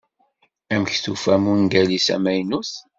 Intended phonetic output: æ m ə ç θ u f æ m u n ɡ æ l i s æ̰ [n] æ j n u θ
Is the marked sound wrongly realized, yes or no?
yes